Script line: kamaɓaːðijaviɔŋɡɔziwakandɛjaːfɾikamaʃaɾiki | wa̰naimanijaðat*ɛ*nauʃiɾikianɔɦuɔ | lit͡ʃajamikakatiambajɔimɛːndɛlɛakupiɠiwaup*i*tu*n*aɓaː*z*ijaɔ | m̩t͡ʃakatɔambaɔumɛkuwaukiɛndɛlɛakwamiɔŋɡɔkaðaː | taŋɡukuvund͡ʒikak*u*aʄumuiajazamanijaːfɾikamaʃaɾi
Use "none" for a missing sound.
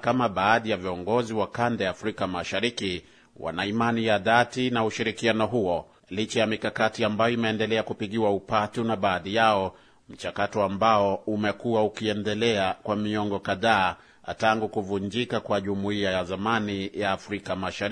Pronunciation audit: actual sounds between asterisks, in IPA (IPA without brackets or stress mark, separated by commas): i, a, n, ð, w